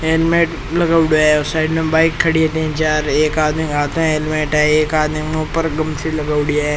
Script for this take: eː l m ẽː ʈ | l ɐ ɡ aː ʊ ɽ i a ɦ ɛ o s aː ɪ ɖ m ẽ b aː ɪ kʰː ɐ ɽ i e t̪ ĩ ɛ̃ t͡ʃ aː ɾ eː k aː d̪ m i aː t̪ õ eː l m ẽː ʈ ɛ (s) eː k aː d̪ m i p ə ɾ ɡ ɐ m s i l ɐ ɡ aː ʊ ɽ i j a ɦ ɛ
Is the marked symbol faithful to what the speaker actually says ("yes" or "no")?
no